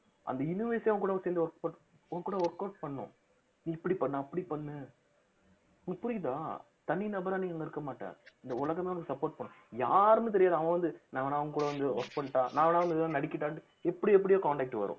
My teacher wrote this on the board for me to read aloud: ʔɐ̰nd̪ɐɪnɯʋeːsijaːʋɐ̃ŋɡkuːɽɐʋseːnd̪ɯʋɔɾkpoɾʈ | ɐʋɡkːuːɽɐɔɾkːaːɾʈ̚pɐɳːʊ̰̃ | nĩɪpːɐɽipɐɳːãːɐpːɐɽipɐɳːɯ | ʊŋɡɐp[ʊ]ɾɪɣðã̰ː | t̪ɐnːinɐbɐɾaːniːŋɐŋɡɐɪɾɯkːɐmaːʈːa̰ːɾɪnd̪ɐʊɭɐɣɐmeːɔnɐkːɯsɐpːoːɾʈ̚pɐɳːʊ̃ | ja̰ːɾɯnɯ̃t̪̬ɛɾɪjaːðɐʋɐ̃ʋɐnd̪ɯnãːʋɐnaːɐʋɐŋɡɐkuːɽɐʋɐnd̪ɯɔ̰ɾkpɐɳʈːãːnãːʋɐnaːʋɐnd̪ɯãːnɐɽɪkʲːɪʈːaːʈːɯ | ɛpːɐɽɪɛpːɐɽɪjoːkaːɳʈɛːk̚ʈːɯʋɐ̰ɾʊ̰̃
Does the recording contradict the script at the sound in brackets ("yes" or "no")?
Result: no